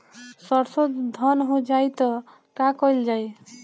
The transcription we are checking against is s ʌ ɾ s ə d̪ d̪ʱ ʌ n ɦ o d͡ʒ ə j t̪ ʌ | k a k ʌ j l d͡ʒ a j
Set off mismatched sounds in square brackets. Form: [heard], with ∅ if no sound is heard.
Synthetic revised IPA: s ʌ ɾ s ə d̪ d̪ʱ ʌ n ɦ o d͡ʒ [a] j t̪ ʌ | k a k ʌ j l d͡ʒ a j